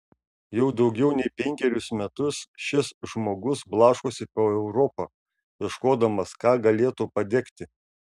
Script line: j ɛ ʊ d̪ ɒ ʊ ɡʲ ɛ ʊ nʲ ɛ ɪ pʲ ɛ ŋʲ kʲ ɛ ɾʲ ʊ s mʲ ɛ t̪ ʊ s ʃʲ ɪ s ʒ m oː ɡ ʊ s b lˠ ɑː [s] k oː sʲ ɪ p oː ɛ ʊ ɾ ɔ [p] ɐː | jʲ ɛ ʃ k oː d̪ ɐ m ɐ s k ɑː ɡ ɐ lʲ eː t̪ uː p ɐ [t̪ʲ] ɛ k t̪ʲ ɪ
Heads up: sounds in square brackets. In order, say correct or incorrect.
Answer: incorrect: ʃ, correct, incorrect: d̪ʲ

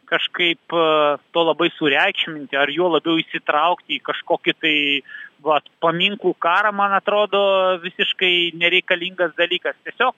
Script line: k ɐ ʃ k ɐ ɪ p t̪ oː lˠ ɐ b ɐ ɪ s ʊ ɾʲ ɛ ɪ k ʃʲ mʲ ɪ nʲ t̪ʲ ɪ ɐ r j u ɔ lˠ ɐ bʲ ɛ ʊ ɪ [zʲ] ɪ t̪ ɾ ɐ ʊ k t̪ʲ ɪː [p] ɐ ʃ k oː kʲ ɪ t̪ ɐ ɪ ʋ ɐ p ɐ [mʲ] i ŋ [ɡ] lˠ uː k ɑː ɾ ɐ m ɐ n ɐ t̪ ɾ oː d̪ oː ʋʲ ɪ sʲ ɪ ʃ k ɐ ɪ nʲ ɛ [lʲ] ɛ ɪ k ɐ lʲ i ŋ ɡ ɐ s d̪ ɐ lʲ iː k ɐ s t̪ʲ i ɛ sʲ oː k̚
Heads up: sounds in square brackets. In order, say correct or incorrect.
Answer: incorrect: sʲ, incorrect: k, correct, incorrect: k, incorrect: ɾʲ

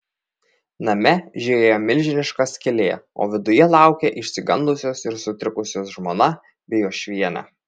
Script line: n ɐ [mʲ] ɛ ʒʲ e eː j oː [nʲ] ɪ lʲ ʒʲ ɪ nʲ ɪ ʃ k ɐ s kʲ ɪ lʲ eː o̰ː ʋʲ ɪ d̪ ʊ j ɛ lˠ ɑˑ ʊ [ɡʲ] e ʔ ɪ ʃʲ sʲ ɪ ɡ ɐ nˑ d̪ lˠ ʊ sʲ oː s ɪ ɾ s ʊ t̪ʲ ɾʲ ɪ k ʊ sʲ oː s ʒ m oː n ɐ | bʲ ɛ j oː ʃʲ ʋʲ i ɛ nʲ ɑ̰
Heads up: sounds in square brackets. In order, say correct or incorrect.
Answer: correct, incorrect: mʲ, incorrect: kʲ

